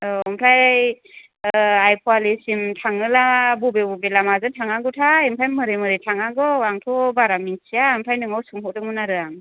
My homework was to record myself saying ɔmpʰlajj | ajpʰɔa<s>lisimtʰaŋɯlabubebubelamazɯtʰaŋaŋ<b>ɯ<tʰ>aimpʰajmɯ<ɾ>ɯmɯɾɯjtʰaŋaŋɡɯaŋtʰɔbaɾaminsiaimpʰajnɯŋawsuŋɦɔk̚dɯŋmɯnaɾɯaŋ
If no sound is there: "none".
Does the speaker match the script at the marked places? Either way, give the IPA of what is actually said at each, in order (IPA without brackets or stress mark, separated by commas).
none, ɡ, tʰ, ɾ